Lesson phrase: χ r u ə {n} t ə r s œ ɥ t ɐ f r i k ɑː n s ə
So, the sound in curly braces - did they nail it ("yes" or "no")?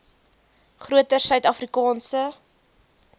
no